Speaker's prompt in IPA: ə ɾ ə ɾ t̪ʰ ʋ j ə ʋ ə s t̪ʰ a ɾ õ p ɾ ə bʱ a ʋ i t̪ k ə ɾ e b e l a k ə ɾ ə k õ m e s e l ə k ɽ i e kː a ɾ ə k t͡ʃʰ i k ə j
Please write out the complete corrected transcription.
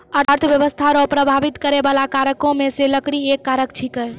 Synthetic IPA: ə ɾ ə ɾ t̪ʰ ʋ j ə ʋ ə s t̪ʰ a ɾ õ p ɾ ə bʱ a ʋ i t̪ k ə ɾ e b a l a k a ɾ ə k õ m e s e l ə k ɽ i e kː a ɾ ə k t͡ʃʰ i k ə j